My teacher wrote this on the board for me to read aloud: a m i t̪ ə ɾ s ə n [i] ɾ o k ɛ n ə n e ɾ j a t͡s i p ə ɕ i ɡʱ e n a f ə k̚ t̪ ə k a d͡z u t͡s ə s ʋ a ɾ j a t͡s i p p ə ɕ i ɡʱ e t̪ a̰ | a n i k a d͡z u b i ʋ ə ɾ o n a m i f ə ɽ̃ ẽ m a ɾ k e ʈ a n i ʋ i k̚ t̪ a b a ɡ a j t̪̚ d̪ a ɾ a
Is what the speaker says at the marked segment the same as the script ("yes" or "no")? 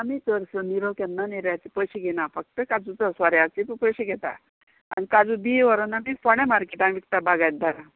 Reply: yes